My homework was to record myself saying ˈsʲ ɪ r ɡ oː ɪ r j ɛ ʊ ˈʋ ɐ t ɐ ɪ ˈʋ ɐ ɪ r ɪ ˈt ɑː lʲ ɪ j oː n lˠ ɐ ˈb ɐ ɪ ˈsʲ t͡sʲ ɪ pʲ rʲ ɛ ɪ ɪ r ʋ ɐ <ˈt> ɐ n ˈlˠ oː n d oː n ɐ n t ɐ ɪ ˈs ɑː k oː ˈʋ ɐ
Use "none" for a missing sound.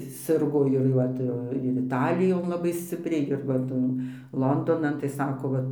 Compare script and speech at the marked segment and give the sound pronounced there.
t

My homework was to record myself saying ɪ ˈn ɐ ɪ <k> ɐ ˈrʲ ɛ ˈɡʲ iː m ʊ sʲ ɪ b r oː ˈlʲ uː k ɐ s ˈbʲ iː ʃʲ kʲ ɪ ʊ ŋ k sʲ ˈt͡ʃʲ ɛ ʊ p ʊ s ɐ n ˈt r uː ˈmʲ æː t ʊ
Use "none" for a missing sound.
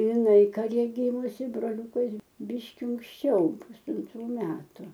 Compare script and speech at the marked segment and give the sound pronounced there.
k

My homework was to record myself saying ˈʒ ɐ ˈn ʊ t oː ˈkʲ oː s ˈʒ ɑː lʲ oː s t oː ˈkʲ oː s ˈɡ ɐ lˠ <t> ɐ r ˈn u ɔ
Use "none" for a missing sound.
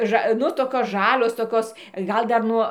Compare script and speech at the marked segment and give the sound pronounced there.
d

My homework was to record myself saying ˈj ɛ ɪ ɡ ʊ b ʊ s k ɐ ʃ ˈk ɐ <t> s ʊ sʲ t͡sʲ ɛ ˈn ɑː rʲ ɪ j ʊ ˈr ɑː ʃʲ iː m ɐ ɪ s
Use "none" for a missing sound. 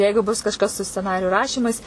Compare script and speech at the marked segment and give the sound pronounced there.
s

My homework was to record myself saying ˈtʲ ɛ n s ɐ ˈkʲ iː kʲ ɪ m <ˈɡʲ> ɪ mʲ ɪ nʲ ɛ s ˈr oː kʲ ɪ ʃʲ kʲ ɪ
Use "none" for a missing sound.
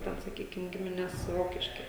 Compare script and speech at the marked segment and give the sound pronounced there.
ɡʲ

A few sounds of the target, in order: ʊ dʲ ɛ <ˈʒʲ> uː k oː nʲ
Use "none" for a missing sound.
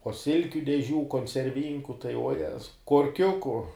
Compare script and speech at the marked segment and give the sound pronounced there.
ʒʲ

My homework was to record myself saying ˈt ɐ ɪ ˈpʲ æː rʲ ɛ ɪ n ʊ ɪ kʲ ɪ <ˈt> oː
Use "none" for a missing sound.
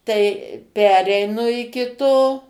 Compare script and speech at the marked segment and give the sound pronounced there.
t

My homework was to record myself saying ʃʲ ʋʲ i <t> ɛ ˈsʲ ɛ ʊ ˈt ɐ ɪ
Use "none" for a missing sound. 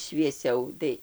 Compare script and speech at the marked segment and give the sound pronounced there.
none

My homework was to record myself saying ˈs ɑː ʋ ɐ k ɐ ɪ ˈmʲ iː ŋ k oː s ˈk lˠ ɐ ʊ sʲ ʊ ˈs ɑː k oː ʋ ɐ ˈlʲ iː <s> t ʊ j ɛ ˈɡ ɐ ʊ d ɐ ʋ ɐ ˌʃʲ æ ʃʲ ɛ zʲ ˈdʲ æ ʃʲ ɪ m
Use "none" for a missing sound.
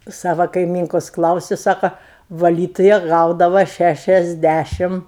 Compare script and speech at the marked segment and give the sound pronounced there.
none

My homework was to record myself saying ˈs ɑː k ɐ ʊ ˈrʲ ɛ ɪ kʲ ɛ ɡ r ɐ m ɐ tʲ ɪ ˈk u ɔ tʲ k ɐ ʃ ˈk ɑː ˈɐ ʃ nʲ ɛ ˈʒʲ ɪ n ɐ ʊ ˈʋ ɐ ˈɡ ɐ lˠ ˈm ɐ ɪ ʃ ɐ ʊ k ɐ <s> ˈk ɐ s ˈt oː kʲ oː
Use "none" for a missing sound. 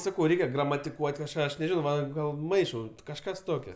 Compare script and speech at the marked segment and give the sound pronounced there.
ʃ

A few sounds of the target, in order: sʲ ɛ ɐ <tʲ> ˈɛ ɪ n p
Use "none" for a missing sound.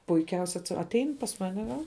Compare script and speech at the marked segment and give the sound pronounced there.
tʲ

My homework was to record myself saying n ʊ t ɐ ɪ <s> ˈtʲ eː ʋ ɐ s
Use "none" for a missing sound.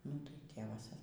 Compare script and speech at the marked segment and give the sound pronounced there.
none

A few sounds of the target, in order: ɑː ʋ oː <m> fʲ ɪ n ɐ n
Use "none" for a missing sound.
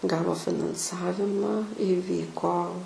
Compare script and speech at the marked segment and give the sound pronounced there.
none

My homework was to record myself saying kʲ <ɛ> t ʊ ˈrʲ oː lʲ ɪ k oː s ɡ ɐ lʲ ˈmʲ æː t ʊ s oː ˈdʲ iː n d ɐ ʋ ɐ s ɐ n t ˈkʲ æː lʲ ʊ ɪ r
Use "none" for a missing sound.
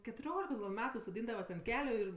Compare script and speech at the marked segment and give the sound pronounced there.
ɛ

